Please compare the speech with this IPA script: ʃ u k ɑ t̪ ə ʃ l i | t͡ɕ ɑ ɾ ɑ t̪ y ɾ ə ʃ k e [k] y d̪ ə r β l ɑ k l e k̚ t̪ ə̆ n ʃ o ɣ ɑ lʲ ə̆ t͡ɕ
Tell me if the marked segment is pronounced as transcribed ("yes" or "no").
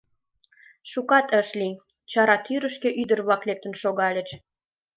no